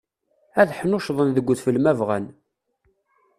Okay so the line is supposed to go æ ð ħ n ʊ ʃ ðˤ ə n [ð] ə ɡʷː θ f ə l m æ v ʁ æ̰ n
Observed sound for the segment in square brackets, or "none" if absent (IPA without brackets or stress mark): ð